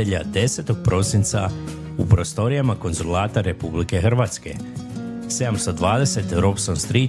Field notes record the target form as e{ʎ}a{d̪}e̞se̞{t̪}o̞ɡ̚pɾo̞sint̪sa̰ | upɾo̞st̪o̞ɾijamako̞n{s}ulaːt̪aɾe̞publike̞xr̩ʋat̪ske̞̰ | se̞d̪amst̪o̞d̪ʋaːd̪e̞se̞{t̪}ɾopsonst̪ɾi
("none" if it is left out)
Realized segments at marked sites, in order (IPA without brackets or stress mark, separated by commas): ʎ, d̪, t̪, z, t̪